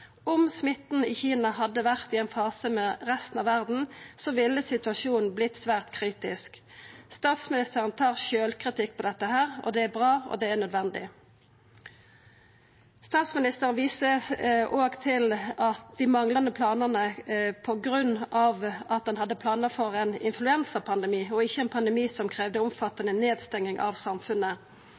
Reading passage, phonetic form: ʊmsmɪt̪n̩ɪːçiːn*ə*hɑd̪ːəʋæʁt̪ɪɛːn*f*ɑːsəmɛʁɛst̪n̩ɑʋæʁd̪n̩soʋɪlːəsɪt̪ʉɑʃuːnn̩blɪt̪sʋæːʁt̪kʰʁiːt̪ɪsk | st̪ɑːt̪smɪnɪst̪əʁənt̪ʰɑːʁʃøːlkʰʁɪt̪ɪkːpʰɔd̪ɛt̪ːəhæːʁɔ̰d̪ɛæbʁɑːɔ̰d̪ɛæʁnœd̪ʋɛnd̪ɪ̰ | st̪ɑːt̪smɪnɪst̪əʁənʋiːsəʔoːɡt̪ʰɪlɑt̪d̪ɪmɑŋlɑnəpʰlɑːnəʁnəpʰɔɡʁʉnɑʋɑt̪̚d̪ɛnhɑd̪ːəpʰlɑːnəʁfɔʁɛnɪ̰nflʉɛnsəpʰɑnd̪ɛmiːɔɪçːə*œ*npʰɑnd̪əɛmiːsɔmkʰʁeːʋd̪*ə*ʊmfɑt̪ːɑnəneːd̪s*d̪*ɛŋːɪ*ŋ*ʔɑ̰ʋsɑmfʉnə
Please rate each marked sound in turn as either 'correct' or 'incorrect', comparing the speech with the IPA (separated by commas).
incorrect, correct, incorrect, correct, incorrect, correct